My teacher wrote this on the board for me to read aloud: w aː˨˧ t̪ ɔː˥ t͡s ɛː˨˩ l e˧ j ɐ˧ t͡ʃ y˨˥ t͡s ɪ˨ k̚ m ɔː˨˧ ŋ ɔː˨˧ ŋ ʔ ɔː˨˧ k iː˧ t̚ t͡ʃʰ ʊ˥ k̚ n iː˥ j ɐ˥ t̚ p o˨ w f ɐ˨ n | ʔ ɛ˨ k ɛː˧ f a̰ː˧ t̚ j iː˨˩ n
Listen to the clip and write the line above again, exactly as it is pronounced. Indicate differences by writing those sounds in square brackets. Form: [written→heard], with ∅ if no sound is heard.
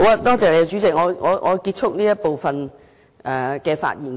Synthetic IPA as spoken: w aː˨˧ t̪ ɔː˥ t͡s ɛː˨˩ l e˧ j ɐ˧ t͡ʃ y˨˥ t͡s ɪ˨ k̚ [m→ŋ] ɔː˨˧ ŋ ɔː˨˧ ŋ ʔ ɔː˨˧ k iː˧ t̚ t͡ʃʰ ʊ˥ k̚ n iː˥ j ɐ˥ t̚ p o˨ w f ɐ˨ n | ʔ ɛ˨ k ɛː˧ f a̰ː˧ t̚ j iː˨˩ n